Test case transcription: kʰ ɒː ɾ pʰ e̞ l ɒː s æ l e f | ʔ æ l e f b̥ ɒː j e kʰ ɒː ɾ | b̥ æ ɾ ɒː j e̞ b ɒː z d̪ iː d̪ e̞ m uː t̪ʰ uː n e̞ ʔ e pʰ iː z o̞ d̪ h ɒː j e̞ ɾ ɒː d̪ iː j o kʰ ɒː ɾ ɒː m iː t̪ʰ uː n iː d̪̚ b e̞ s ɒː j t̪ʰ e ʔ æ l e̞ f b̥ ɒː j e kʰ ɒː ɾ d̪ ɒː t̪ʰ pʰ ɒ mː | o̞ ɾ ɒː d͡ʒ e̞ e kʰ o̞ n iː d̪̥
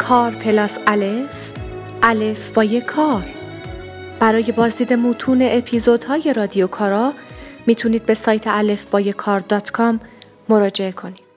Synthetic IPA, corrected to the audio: kʰ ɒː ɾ pʰ e̞ l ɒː s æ l e f | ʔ æ l e f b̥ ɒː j e kʰ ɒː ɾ | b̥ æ ɾ ɒː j e̞ b ɒː z d̪ iː d̪ e̞ m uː t̪ʰ uː n e̞ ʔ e pʰ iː z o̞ d̪ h ɒː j e̞ ɾ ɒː d̪ i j o kʰ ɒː ɾ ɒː m iː t̪ʰ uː n iː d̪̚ b e̞ s ɒː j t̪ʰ e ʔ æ l e̞ f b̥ ɒː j e kʰ ɒː ɾ d̪ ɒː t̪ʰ kʰ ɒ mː | o̞ ɾ ɒː d͡ʒ e̞ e kʰ o̞ n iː d̪̥